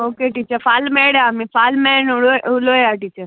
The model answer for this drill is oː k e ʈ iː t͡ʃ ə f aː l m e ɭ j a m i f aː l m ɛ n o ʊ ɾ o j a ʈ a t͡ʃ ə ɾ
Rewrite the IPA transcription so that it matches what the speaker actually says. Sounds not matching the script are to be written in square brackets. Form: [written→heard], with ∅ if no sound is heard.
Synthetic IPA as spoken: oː k e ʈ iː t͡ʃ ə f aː l m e [ɭ→ɽ] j a m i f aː l m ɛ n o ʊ [ɾ→l] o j a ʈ [a→i] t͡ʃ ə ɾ